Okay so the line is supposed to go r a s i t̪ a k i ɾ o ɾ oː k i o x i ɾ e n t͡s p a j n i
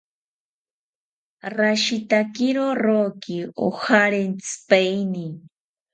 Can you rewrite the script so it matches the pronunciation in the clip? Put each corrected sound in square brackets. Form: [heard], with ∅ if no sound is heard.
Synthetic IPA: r a [ʃ] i t̪ a k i ɾ o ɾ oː k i o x [a] ɾ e n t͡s p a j n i

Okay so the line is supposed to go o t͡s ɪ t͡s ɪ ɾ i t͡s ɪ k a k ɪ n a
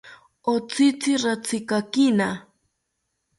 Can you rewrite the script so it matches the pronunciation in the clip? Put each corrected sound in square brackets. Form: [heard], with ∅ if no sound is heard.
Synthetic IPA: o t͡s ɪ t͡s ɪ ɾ [a] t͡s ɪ k a k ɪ n a

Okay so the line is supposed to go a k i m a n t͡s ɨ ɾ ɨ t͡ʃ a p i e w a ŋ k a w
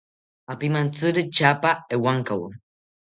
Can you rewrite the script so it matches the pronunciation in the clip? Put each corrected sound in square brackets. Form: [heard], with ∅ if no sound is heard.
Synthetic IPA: a [p] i m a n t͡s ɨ ɾ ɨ t͡ʃ a p [a] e w a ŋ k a w

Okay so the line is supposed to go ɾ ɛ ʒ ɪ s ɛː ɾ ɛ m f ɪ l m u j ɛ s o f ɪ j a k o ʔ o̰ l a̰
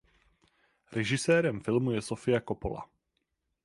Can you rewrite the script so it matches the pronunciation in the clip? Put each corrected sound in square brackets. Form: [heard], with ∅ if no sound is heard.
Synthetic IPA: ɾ ɛ ʒ ɪ s ɛː ɾ ɛ m f ɪ l m u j ɛ s o f ɪ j a k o [p] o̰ l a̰

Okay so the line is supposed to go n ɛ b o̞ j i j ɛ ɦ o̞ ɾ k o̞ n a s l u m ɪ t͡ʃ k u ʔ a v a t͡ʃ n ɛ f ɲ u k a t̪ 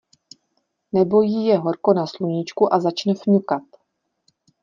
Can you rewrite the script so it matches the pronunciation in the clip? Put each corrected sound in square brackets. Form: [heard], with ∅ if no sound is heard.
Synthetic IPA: n ɛ b o̞ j i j ɛ ɦ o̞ ɾ k o̞ n a s l u [ɲ] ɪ t͡ʃ k u ʔ a [z] a t͡ʃ n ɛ f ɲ u k a t̪

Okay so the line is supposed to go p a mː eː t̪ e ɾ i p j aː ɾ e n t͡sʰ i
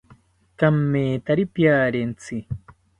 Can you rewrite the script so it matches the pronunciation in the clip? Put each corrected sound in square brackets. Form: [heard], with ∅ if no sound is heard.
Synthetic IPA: [k] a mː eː t̪ [a] ɾ i p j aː ɾ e n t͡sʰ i

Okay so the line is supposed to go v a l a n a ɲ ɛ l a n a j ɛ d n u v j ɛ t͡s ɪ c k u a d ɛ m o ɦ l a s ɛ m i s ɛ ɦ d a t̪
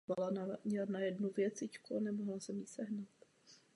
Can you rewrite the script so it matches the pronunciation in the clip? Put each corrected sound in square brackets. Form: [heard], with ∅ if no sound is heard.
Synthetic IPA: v a l a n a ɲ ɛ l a n a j ɛ d n u v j ɛ t͡s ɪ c k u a [n] ɛ m o ɦ l a s ɛ m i s ɛ ɦ [n] a t̪

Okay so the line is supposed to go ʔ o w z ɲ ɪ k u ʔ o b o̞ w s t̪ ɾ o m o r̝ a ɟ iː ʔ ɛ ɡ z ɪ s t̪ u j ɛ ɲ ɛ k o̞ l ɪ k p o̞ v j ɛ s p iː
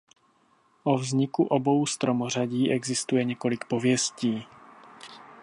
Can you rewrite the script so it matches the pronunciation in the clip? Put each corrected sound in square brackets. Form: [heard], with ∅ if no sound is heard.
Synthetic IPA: ʔ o [v] z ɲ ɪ k u ʔ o b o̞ w s t̪ ɾ o m o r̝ a ɟ iː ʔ ɛ ɡ z ɪ s t̪ u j ɛ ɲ ɛ k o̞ l ɪ k p o̞ v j ɛ s [c] iː

